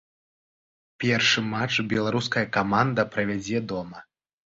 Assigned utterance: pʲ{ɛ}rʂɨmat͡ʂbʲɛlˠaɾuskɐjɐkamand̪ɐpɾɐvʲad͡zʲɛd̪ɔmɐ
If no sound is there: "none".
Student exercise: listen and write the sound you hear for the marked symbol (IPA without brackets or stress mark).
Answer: ɛ